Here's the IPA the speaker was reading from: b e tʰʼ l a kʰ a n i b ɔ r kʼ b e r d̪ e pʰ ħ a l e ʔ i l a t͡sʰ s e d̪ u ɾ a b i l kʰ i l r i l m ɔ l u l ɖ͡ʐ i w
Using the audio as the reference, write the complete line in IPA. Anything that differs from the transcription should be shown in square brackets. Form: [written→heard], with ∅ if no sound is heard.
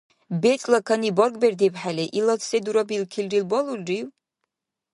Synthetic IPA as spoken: b e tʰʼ l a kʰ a n i b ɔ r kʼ b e r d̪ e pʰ ħ a l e ʔ i l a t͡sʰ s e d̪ u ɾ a b i l kʰ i l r i l [m→b] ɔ l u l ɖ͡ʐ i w

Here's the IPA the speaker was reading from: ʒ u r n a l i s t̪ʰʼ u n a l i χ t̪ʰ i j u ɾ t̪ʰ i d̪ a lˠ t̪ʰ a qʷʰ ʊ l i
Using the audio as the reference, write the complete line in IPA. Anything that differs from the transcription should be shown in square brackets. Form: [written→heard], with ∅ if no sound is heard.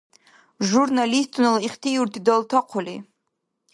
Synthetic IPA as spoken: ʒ u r n a l i s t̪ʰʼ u n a l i χ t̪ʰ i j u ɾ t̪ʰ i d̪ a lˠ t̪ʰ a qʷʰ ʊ l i

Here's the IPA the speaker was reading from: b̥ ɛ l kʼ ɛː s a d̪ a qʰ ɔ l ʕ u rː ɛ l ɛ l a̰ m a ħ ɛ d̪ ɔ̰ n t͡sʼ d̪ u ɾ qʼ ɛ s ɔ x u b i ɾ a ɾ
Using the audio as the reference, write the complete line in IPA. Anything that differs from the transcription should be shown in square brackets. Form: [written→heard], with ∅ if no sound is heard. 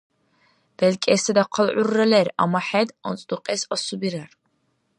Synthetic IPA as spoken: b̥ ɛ l kʼ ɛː s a d̪ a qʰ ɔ l ʕ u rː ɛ l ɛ [l→ɾ] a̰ m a ħ ɛ d̪ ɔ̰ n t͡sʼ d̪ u [ɾ→∅] qʼ ɛ s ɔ [x→s] u b i ɾ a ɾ

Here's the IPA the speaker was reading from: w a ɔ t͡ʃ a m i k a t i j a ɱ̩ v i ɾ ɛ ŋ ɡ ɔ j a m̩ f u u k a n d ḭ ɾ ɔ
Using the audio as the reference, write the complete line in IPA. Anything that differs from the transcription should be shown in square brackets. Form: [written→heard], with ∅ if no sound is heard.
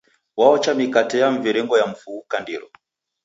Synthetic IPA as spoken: w a ɔ t͡ʃ a m i k a t [i→ɛ] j a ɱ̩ v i ɾ ɛ ŋ ɡ ɔ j a m̩ f u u k a n d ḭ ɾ ɔ

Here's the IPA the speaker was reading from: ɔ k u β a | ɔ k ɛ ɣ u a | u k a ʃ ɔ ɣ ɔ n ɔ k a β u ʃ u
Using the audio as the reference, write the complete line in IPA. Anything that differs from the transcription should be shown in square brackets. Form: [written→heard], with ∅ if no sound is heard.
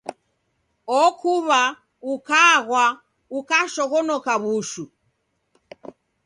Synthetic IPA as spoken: ɔ k u β a | [ɔ→u] k [ɛ→a] ɣ [u→w] a | u k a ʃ ɔ ɣ ɔ n ɔ k a β u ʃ u

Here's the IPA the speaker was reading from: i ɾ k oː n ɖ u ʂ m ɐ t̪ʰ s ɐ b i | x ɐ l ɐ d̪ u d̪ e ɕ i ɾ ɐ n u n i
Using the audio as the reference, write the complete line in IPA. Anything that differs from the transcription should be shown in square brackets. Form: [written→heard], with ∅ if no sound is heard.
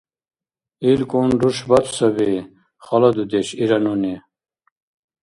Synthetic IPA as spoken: i [ɾ→l] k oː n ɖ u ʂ [m→b] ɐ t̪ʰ s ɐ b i | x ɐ l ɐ d̪ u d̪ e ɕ i ɾ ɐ n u n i

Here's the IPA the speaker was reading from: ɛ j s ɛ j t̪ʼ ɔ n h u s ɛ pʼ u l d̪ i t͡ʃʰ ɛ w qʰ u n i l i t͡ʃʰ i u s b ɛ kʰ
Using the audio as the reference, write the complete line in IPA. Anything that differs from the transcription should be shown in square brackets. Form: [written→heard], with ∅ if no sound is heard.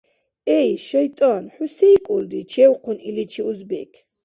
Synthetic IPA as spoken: ɛ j [s→ʃ] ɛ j t̪ʼ ɔ n [h→ħ] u s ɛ [pʼ→kʼ] u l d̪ i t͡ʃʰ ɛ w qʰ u n i l i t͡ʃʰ i u [s→z] b ɛ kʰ

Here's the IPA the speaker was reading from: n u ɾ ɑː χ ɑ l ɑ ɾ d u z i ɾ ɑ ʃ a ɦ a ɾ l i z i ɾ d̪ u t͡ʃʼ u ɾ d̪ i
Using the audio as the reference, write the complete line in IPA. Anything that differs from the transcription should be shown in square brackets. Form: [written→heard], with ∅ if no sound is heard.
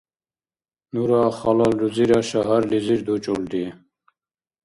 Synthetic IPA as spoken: n u ɾ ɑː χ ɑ l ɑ [ɾ→l] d u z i ɾ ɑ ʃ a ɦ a ɾ l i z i ɾ d̪ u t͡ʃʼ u [ɾ→l] d̪ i

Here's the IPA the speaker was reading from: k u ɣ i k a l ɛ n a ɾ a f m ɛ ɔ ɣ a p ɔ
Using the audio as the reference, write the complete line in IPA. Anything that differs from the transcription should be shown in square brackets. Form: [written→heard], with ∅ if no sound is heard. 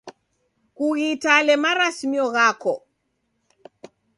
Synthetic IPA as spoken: k u ɣ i [k→t] a l ɛ [n→m] a ɾ a [f→s] m [ɛ→i] ɔ ɣ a [p→k] ɔ

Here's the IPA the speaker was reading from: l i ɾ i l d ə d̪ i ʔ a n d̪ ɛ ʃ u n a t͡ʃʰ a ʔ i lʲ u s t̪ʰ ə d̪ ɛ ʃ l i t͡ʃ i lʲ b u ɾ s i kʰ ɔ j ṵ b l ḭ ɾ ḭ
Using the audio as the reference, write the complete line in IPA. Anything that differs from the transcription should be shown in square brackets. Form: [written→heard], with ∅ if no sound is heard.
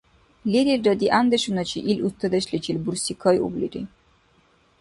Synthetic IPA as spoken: l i ɾ i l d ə d̪ i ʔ a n d̪ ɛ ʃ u n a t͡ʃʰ [a→i] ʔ i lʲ u s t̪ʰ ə d̪ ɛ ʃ l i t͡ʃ i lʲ b u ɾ s i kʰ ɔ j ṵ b l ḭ ɾ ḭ

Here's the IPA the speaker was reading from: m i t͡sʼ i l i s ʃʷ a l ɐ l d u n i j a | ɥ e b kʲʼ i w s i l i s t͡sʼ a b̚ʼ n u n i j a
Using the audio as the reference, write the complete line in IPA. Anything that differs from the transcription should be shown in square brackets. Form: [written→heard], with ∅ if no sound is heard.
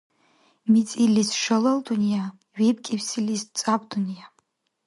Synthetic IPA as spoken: m i t͡sʼ i l i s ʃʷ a l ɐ l d u n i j a | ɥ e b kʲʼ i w s i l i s t͡sʼ a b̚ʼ [n→d] u n i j a

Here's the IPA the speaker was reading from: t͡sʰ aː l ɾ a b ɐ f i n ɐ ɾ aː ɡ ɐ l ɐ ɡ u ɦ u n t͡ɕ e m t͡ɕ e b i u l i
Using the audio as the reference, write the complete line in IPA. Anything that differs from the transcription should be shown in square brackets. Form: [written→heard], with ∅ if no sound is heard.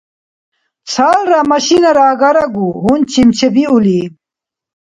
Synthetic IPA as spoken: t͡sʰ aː l ɾ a [b→m] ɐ [f→ɕ] i n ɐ ɾ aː ɡ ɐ [l→ɾ] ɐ ɡ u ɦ u n t͡ɕ [e→i] m t͡ɕ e b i u l i

